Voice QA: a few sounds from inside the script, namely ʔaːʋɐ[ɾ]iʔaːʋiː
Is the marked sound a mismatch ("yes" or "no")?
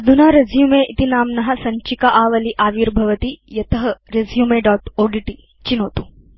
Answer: yes